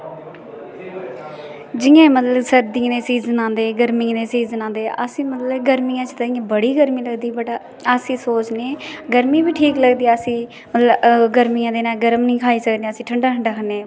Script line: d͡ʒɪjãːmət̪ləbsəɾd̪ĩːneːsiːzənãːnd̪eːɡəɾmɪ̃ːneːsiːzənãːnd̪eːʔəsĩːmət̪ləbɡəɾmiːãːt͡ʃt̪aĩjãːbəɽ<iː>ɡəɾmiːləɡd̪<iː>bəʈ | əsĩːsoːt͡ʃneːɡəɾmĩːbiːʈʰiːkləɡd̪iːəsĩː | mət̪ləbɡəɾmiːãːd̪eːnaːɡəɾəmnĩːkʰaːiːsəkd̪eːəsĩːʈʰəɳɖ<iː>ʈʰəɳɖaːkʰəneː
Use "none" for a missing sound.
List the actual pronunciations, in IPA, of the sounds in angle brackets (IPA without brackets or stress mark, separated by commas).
iː, iː, aː